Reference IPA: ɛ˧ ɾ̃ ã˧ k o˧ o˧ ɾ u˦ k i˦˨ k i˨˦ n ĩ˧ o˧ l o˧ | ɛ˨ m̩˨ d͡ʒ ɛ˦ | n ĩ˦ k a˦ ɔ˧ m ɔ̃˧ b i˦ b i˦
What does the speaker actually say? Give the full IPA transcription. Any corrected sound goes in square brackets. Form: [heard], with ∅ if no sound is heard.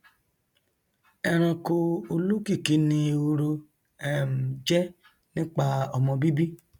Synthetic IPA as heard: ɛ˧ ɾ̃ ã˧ k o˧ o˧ [l] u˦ k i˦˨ k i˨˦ n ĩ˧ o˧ [ɾ] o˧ | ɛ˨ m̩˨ d͡ʒ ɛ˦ | n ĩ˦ [k͡p] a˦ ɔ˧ m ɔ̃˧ b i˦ b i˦